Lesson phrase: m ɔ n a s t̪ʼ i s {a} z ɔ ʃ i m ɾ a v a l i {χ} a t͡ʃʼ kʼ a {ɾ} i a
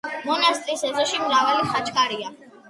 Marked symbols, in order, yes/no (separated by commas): no, yes, yes